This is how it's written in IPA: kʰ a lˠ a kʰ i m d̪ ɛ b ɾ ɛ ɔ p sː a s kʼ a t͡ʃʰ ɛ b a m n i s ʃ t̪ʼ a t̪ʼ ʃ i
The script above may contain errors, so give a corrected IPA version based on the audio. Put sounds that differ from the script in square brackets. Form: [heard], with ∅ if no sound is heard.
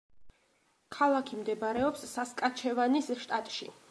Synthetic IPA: kʰ a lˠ a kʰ i m d̪ ɛ b ɾ ɛ ɔ p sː a s kʼ a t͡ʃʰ ɛ [v] a [∅] n i s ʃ t̪ʼ a t̪ʼ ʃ i